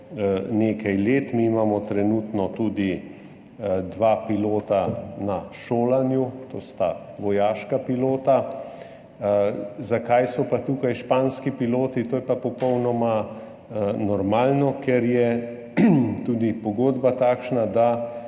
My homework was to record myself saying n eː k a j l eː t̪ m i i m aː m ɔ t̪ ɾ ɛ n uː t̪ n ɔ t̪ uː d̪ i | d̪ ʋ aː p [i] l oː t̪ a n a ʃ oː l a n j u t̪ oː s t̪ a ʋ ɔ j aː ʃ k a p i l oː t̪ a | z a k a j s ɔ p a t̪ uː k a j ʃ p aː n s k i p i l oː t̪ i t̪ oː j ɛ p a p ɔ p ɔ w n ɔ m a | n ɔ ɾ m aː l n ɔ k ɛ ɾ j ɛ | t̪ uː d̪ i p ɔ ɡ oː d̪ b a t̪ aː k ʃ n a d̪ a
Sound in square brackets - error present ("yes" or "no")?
no